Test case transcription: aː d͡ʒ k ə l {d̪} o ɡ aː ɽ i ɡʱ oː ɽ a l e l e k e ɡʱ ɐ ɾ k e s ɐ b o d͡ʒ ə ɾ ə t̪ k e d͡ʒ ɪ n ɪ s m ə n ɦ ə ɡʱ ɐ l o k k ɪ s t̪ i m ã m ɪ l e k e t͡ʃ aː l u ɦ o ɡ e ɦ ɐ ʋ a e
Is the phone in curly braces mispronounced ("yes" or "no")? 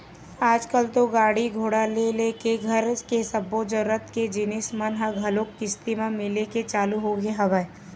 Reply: yes